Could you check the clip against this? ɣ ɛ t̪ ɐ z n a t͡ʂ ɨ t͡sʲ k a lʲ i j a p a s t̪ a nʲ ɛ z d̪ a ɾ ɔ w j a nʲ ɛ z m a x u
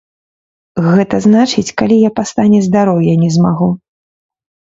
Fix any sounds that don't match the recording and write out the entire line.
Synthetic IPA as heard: ɣ ɛ t̪ ɐ z n a t͡ʂ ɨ t͡sʲ k a lʲ i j a p a s t̪ a nʲ ɛ z d̪ a ɾ ɔ w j a nʲ ɛ z m a ɣ u